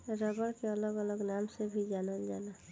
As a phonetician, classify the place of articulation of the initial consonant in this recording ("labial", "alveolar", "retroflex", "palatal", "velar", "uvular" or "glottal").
alveolar